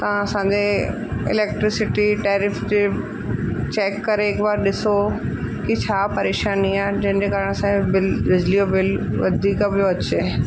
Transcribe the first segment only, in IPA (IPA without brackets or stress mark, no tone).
t̪